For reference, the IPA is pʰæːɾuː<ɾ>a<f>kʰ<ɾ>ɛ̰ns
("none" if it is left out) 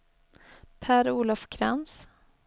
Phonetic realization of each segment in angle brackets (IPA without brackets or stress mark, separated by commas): l, f, ɾ